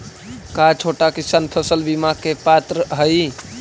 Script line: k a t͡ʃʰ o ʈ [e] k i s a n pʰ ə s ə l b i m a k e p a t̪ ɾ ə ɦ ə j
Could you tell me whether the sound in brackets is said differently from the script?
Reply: yes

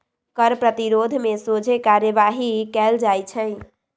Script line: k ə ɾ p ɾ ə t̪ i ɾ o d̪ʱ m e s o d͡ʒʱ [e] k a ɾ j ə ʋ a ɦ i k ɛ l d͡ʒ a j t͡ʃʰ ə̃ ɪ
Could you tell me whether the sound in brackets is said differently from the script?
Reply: no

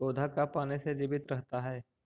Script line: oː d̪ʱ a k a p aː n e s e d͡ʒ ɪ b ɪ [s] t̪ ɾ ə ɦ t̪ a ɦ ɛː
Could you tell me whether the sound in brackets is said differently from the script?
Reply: yes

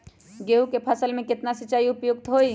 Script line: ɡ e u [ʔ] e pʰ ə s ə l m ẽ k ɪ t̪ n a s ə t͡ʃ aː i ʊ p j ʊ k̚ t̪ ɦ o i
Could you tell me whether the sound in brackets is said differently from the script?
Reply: yes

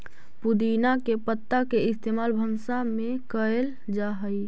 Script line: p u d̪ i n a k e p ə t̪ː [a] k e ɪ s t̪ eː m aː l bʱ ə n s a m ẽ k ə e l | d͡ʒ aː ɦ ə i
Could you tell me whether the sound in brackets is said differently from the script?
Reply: no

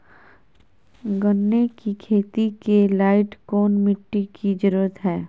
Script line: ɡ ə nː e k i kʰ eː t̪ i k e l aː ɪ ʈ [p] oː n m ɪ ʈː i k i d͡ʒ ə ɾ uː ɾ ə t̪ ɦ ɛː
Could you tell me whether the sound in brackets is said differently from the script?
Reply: yes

